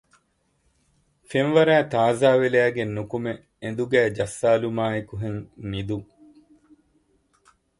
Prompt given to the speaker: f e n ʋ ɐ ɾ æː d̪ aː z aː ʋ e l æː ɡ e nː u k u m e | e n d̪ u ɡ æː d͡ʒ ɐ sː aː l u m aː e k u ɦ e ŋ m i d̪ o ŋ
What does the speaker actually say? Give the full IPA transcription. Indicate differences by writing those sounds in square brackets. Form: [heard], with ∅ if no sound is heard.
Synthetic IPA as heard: f e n ʋ ɐ ɾ æː [t̪] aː z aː ʋ e l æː ɡ e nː u k u m e | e n d̪ u ɡ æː d͡ʒ ɐ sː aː l u m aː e k u ɦ e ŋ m i d̪ [u] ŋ